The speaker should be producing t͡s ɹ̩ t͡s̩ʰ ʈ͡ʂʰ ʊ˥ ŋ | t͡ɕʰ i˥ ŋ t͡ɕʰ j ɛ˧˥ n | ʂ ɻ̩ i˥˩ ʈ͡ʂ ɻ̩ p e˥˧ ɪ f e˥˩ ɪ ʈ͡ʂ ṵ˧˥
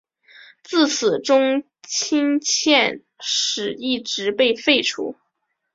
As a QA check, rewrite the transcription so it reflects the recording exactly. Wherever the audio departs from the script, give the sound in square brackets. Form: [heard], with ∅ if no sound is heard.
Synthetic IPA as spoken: t͡s ɹ̩ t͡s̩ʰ [ʈ͡ʂ] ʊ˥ ŋ | t͡ɕʰ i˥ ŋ t͡ɕʰ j [ɛ˥˧] n | ʂ ɻ̩ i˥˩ ʈ͡ʂ ɻ̩ p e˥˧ ɪ f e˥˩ ɪ [ʈ͡ʂʰ] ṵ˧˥